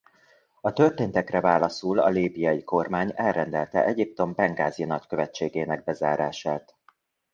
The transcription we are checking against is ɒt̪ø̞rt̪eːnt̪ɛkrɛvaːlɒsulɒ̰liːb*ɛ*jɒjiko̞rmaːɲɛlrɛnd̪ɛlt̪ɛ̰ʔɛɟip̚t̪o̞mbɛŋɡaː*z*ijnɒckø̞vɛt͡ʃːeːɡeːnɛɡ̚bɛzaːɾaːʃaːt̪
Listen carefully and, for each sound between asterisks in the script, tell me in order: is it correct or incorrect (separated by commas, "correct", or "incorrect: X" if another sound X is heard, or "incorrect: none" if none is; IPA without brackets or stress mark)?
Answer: incorrect: i, correct